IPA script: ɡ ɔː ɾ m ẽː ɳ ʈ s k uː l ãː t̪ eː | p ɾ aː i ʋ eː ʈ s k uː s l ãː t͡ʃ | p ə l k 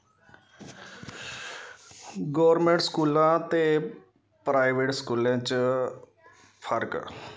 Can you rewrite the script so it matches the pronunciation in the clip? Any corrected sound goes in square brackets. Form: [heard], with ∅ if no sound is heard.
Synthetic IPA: ɡ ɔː ɾ m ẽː ɳ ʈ s k uː l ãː t̪ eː | p ɾ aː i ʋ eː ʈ s k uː [∅] l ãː t͡ʃ | [pʰ] ə [ɾ] k